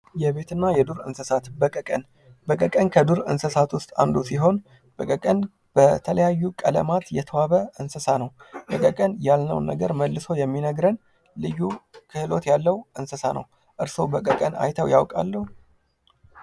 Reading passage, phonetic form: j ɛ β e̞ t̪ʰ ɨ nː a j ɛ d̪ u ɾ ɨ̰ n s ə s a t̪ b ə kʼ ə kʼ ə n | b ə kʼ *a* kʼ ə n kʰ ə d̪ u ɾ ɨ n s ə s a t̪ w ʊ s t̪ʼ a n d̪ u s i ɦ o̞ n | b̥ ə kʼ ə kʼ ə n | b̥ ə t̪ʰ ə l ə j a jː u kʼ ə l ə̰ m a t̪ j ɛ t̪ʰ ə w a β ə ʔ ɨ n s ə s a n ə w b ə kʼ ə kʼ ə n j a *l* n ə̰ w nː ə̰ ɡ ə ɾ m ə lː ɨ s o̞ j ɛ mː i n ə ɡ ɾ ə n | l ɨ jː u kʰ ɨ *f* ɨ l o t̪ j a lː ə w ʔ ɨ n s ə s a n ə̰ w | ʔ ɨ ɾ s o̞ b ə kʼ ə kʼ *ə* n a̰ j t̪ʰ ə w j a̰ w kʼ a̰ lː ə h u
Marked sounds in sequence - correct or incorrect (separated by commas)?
incorrect, correct, incorrect, correct